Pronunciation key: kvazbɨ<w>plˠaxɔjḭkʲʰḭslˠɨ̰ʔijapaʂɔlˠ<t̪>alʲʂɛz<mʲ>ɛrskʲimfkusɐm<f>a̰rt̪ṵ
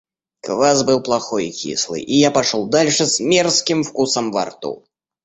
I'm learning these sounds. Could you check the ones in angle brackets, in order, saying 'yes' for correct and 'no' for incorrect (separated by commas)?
yes, no, yes, no